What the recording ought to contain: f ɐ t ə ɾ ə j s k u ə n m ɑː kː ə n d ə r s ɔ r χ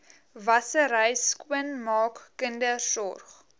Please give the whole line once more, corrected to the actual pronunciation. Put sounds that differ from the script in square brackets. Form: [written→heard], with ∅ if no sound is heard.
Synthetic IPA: [f→v] ɐ [t→s] ə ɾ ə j s k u ə n m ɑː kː ə n d ə r s ɔ r χ

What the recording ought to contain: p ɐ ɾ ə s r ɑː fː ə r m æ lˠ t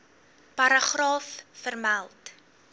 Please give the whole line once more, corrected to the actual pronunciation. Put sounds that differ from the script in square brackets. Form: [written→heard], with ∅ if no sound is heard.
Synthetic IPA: p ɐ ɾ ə [s→χ] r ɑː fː ə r m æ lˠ t

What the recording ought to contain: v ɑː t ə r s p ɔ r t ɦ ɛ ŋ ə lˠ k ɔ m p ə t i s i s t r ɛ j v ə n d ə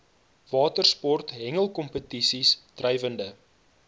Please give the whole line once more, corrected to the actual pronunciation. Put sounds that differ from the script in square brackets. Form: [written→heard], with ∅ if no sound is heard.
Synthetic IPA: v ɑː t ə r s p ɔ r t ɦ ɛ ŋ ə lˠ k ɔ m p ə t i s i s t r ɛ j v ə n d ə

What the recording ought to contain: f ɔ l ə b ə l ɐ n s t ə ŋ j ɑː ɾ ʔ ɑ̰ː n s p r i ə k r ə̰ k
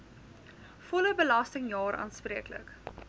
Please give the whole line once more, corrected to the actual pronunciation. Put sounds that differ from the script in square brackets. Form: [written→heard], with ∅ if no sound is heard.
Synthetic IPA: f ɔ l ə b ə l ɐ [n→∅] s t ə ŋ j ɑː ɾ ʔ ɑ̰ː n s p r i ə k [r→l] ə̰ k

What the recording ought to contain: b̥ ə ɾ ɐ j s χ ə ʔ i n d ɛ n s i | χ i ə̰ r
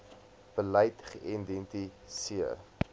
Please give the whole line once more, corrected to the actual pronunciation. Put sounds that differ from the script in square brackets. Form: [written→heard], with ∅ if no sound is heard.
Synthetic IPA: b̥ ə [ɾ→l] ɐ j [s→t] χ ə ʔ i n d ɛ n [s→t] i | [χ→s] i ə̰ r

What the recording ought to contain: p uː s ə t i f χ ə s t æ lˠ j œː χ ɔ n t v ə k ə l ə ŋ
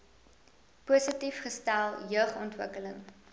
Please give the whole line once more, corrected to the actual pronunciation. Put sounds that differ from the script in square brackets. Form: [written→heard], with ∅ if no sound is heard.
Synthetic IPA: p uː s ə t i f χ ə s t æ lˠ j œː χ ɔ n t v ə k ə l ə ŋ

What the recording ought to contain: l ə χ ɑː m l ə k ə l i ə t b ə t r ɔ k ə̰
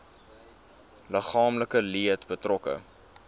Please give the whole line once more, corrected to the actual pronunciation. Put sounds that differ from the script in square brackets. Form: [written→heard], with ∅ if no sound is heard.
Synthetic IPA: l ə χ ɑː m l ə k ə l i ə t b ə t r ɔ k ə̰

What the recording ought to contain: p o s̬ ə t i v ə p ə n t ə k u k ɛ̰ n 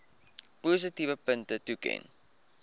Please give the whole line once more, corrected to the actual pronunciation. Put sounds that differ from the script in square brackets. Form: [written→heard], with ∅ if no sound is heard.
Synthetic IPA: p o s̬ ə t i v ə p ə n t ə [k→t] u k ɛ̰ n

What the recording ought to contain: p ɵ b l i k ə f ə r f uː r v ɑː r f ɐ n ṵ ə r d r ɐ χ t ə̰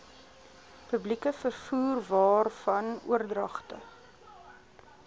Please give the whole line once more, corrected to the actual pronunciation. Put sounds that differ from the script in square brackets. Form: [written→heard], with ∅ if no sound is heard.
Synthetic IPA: p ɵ b l i k ə f ə r f uː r v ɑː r f ɐ n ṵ ə r d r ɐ χ t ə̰

